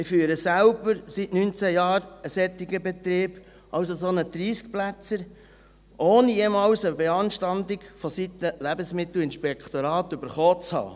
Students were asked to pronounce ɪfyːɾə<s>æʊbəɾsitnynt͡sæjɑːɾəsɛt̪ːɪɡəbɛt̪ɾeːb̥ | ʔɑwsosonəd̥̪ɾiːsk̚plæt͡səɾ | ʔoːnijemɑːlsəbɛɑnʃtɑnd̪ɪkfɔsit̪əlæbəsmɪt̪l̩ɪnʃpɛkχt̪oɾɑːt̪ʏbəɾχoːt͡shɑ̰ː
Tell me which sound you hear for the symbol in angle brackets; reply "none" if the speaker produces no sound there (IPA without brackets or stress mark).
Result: s